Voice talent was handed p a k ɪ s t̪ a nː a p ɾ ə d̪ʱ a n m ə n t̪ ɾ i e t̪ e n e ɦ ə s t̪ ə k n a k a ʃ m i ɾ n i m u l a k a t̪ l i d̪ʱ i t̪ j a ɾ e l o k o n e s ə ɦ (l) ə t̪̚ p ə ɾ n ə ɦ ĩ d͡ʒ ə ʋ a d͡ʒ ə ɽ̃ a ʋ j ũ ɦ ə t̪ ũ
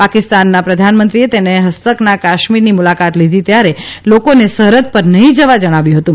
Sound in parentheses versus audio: incorrect: ɾ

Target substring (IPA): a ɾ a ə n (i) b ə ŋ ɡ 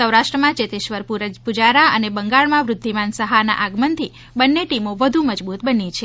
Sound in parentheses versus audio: incorrect: e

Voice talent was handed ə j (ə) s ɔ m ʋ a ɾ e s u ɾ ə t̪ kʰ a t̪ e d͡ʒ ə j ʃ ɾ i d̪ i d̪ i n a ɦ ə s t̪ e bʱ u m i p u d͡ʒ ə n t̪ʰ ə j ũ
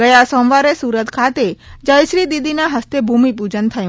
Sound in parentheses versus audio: incorrect: a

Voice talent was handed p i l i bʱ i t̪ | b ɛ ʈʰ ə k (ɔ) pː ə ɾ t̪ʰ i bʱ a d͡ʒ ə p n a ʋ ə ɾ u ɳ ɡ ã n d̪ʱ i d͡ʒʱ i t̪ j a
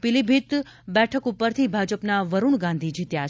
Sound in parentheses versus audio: incorrect: u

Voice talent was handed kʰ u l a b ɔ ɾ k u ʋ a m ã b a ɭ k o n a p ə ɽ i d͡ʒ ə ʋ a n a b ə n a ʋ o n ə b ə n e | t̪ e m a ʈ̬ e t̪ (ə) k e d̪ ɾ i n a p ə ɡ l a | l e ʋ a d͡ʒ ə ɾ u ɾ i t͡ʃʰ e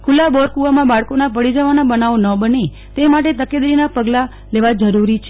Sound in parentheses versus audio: correct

